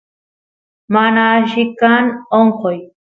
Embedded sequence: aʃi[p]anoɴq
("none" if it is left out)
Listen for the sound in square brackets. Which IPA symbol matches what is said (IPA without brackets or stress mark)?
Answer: k